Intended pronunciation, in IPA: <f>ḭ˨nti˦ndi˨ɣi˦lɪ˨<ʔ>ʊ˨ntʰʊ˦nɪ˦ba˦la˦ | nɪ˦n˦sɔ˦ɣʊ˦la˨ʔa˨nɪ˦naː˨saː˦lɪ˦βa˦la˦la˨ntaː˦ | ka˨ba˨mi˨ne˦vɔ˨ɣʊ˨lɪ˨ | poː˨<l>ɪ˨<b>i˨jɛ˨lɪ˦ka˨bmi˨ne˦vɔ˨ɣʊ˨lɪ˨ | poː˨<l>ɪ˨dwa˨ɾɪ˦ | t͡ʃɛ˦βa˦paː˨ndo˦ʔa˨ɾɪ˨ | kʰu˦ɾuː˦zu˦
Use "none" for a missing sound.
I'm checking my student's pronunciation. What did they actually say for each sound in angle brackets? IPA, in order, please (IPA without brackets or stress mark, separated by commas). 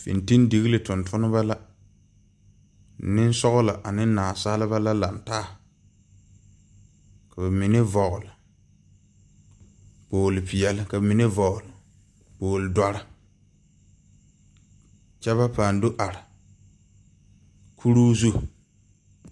f, t, l, p, l